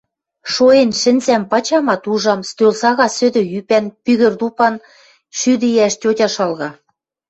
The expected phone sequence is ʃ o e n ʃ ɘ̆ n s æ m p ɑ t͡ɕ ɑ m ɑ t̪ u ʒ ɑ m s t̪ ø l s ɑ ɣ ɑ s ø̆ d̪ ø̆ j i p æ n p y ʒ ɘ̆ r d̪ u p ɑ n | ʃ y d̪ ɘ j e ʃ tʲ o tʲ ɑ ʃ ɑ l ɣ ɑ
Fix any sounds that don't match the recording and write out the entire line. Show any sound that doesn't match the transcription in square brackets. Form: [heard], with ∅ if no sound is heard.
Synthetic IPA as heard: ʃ o e n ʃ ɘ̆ n [z] æ m p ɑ t͡ɕ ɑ m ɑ t̪ u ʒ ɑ m s t̪ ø l s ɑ ɣ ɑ s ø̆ d̪ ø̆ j [y] p æ n p y [ɣ] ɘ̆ r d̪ u p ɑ n | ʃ y d̪ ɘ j [æ] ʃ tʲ o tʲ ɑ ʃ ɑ l ɣ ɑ

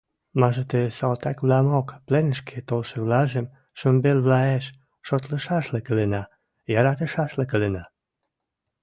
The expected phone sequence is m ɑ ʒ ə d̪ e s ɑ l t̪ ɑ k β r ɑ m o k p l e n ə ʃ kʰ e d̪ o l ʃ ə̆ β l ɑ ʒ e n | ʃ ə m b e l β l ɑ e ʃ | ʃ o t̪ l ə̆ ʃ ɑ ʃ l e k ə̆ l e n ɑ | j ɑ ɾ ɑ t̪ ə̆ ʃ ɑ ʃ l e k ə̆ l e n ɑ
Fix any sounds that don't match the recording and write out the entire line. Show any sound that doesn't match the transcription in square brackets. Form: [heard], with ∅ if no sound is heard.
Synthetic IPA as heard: m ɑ ʒ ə [t̪] e s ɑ l t̪ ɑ k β [l] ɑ m o k p l e n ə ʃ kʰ e [t̪] o l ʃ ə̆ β l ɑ ʒ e [m] | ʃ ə m b e l β l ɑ e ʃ | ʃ o t̪ l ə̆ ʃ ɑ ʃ l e k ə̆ l e n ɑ | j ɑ ɾ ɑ t̪ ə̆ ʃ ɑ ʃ l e k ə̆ l e n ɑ

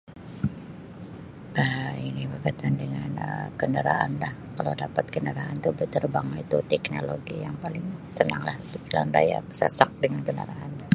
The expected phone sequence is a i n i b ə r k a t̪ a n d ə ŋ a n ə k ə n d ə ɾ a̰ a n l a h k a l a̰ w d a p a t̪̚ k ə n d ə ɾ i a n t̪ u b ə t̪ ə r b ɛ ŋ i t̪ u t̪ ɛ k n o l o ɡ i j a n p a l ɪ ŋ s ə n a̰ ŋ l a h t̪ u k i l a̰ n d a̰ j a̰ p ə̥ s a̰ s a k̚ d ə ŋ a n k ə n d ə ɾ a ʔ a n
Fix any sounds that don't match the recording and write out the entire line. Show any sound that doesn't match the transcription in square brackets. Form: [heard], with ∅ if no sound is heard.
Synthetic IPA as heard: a i n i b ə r k a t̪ a n d ə ŋ a n ə k ə n d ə ɾ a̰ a n l a h k a l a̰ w d a p a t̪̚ k ə n d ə ɾ [a] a n t̪ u b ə t̪ ə r b [a] ŋ i t̪ u t̪ ɛ k n o l o ɡ i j a [ŋ] p a l ɪ ŋ s ə n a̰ ŋ l a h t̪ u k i l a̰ n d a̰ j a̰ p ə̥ s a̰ s a k̚ d ə ŋ a n k ə n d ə ɾ a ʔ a n

